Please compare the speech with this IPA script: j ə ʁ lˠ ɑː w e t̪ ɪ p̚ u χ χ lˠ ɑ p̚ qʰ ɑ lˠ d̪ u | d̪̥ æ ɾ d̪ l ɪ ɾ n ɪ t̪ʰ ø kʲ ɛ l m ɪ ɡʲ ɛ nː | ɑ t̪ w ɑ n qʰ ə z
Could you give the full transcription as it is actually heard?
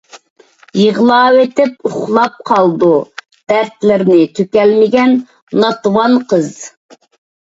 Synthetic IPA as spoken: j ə ʁ lˠ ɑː w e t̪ ɪ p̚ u χ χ lˠ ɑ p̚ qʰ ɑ lˠ d̪ u | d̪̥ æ ɾ t̪ l ɪ ɾ n ɪ t̪ʰ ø kʲ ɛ l m ɪ ɡʲ ɛ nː | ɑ t̪ w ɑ n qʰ ə z